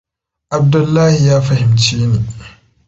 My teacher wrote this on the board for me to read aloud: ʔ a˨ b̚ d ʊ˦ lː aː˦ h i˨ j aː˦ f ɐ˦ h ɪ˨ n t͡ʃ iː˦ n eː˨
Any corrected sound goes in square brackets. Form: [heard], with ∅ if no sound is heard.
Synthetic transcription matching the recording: ʔ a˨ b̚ d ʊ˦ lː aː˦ h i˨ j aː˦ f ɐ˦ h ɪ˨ [m] t͡ʃ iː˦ n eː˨

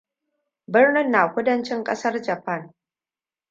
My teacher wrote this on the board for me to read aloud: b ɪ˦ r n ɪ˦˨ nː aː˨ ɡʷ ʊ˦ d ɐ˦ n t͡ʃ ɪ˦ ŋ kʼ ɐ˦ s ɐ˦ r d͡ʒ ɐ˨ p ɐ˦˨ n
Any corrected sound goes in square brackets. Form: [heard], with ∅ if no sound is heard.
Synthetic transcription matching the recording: b ɪ˦ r n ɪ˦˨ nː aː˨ [kʷ] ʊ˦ d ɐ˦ n t͡ʃ ɪ˦ ŋ kʼ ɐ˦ s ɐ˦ r d͡ʒ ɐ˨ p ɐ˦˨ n

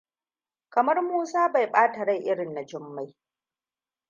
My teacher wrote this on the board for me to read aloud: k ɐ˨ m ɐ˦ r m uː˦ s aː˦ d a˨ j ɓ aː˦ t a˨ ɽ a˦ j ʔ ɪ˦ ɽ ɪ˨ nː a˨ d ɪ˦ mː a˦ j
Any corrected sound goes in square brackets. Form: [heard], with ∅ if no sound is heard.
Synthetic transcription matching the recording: k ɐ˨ m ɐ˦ r m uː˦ s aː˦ [b] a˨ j ɓ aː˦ t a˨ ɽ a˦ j ʔ ɪ˦ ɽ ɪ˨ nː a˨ [d͡ʒ] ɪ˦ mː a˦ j

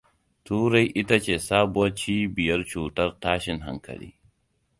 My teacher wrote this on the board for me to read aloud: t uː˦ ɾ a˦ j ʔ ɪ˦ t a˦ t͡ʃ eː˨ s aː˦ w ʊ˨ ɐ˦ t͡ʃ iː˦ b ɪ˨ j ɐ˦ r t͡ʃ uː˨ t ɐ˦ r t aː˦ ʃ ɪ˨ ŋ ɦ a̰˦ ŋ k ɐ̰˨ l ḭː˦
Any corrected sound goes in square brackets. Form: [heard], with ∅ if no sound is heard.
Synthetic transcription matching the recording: t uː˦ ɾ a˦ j ʔ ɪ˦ t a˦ t͡ʃ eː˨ s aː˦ [b] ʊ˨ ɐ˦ t͡ʃ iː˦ b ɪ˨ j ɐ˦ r t͡ʃ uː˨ t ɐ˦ r t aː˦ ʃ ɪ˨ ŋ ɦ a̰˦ ŋ k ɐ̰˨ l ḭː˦

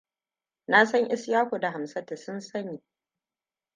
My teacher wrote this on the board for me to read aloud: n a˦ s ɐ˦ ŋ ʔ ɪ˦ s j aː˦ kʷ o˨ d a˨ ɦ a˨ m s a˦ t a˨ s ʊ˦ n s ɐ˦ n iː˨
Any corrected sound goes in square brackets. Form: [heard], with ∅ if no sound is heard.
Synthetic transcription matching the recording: n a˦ s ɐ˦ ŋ ʔ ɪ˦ s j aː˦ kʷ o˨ d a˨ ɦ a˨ m s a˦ t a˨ s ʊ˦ n s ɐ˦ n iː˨

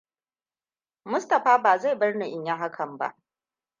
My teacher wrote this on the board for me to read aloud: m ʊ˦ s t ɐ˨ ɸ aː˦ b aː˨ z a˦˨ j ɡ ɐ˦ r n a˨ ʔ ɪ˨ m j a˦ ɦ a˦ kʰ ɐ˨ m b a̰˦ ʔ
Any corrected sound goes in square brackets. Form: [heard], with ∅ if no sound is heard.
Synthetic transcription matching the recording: m ʊ˦ s t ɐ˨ ɸ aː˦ b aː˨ z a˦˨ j [b] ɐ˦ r n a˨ ʔ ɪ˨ [ɲ] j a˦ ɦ a˦ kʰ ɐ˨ m b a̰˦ ʔ

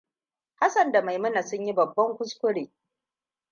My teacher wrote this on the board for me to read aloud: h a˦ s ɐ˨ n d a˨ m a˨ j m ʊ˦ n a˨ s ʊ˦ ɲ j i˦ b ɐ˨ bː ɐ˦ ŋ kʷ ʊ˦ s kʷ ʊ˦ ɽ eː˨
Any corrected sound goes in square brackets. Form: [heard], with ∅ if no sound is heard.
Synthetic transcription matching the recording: h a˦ s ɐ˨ n d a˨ m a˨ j m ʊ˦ n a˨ s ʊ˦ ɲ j i˦ b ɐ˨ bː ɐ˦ ŋ kʷ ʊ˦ s kʷ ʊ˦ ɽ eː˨

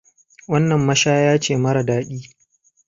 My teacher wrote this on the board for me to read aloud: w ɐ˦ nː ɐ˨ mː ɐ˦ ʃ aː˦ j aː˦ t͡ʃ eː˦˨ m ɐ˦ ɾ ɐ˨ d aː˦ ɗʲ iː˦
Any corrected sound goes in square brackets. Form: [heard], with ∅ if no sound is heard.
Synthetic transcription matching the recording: w ɐ˦ nː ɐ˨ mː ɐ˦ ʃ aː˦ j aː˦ t͡ʃ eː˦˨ m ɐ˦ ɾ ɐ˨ d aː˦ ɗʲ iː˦

